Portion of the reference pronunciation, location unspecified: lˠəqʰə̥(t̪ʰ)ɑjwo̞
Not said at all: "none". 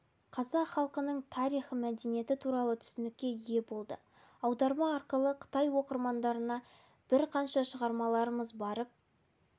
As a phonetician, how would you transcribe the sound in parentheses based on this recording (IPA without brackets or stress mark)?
t̪